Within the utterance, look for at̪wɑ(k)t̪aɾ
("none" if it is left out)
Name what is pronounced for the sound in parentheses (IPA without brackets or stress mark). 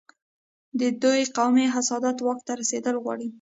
k